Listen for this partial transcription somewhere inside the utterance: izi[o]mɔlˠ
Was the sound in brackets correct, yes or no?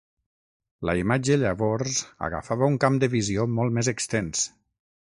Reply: yes